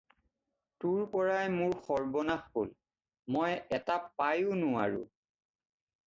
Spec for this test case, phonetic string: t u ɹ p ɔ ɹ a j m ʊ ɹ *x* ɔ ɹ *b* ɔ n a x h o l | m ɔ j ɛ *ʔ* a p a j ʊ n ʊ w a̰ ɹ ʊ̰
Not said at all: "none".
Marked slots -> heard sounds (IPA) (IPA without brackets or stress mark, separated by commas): x, b, t